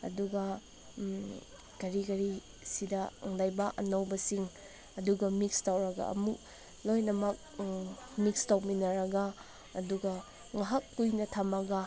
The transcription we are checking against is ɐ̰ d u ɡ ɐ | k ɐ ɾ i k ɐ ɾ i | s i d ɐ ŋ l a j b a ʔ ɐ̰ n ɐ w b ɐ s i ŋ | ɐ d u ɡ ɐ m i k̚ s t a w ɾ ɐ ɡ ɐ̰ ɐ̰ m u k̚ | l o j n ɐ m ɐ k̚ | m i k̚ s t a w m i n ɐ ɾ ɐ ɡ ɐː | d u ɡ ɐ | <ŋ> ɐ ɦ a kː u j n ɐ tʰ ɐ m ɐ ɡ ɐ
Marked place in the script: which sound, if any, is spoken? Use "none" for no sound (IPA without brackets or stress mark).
ŋ